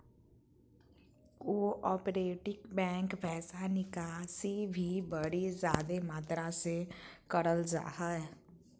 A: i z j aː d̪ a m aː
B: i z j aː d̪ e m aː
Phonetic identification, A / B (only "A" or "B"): B